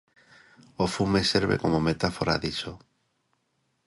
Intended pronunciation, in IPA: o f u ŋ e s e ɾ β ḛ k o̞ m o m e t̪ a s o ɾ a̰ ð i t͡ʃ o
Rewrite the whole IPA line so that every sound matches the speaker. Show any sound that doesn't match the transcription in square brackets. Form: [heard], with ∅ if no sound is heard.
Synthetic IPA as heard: o f u [m] e s e ɾ β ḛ k o̞ m o m e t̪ a [f] o ɾ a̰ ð i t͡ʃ o